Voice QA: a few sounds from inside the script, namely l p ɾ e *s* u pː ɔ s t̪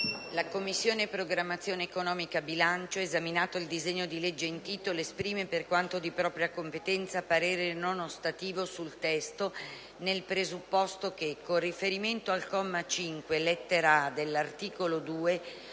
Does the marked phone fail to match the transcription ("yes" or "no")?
yes